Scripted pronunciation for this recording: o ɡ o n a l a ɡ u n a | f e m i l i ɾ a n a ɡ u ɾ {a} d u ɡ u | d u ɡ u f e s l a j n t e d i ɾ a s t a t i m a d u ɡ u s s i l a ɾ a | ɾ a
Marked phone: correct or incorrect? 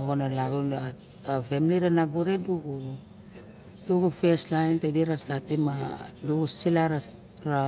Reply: incorrect